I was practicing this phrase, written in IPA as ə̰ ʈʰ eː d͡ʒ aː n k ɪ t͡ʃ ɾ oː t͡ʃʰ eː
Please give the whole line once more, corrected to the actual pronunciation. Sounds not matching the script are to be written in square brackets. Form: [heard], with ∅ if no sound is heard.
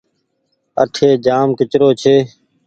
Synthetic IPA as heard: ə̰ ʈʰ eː d͡ʒ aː [m] k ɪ t͡ʃ ɾ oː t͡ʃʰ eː